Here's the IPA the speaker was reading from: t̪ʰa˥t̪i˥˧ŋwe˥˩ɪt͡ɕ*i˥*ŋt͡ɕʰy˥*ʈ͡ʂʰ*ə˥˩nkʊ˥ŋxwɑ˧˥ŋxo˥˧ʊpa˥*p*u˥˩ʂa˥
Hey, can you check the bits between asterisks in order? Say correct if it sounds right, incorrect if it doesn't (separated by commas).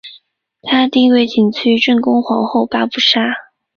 incorrect, incorrect, correct